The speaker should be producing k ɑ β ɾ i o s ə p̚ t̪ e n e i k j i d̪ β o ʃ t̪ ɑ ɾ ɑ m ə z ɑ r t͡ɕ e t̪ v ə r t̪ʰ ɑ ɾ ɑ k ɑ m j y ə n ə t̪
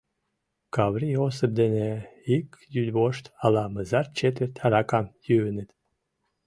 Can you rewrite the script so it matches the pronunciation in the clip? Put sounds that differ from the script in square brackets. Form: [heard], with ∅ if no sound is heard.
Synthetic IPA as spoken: k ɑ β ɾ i o s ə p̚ [d̪] e n e i k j [y] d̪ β o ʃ t̪ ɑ [l] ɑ m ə z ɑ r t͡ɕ e t̪ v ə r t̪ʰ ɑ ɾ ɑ k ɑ m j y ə n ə t̪